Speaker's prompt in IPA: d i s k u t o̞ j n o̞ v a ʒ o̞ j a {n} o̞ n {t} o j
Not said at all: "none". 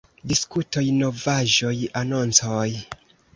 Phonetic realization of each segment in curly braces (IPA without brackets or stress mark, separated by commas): n, t͡s